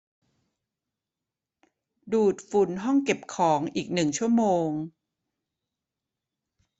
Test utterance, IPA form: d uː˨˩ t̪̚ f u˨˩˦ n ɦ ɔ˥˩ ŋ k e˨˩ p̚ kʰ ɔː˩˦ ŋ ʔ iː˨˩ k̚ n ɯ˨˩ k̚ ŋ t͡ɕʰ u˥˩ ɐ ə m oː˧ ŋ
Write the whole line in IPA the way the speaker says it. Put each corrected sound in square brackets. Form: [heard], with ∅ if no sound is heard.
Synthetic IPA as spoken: d uː˨˩ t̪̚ f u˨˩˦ n ɦ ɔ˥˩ ŋ k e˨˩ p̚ kʰ ɔː˩˦ ŋ ʔ iː˨˩ k̚ n ɯ˨˩ [∅] ŋ t͡ɕʰ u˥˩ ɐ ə m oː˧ ŋ